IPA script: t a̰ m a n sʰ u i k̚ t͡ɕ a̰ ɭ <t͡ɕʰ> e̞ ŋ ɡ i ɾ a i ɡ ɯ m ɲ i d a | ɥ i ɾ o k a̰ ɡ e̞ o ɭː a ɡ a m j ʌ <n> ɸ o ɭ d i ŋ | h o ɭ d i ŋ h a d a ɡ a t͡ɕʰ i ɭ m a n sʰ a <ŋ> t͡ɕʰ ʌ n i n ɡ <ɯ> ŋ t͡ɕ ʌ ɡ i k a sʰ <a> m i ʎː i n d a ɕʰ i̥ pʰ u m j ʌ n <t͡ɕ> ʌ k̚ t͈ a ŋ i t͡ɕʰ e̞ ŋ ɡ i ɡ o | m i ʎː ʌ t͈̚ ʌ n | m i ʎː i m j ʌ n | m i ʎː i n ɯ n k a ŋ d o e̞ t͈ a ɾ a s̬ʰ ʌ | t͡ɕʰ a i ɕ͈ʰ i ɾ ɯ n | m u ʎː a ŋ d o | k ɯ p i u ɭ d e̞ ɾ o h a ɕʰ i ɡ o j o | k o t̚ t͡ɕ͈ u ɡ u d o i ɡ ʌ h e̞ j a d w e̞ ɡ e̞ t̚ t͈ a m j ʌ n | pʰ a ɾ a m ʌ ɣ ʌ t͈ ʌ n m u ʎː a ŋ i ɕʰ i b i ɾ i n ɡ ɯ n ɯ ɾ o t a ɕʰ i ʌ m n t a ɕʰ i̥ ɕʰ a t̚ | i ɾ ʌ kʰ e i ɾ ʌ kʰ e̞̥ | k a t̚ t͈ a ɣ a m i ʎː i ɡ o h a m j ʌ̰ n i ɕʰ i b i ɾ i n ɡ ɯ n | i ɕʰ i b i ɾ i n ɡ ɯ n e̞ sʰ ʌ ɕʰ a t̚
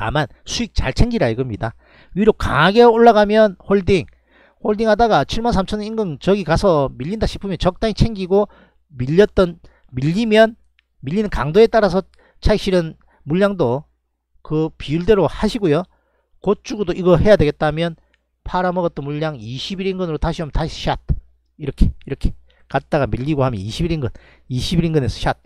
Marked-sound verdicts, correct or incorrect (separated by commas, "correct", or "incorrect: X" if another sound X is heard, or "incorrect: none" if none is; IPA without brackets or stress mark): correct, correct, incorrect: m, correct, incorrect: ʌ, correct